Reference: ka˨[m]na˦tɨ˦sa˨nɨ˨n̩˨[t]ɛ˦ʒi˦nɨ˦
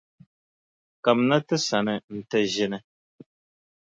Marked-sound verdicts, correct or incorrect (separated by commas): correct, correct